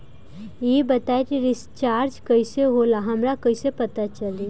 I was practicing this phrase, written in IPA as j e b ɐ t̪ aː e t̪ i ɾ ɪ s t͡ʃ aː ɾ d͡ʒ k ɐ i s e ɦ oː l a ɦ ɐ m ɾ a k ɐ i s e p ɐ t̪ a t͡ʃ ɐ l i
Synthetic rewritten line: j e b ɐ t̪ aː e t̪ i ɾ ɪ s t͡ʃ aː ɾ d͡ʒ k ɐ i s e ɦ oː l a ɦ ɐ m ɾ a k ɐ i s e p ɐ t̪ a t͡ʃ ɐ l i